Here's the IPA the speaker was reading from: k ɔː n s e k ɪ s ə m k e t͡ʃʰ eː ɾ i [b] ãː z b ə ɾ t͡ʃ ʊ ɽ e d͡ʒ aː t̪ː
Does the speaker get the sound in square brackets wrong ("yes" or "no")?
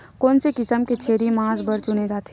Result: yes